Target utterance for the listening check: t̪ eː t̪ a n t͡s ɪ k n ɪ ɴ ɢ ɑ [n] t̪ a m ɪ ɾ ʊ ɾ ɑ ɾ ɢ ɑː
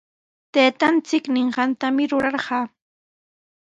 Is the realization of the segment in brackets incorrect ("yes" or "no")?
no